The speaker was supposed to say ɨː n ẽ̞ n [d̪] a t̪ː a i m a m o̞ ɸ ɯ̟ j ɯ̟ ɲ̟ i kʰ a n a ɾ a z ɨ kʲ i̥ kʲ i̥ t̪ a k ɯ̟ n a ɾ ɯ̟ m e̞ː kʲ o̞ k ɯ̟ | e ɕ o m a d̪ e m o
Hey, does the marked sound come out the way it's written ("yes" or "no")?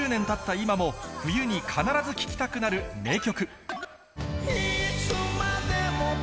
no